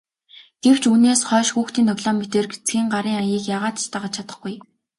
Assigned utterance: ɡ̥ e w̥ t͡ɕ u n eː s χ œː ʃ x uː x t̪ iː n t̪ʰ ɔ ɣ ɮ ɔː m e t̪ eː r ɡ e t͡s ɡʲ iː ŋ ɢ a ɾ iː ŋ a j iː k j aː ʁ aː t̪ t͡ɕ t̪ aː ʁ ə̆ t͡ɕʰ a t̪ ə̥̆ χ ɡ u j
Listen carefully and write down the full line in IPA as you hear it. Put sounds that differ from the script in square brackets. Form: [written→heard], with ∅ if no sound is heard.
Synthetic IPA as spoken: ɡ̥ e w̥ t͡ɕ u n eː s χ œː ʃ x uː x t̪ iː n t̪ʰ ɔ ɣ ɮ ɔː m e t̪ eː r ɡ e t͡s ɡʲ iː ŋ ɢ a ɾ iː ŋ a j iː k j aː ʁ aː t̪ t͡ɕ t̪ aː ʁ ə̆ t͡ɕʰ a t̪ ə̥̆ χ ɡ u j